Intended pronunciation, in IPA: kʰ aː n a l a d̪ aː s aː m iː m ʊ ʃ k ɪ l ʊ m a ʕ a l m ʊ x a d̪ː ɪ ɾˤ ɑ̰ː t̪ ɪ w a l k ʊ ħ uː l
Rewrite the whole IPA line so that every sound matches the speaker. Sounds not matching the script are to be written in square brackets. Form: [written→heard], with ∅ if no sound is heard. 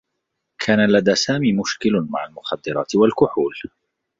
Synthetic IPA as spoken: kʰ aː n a l a d̪ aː s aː m iː m ʊ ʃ k ɪ l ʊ m a ʕ a l m ʊ x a d̪ː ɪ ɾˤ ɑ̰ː t̪ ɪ w a l k ʊ ħ uː l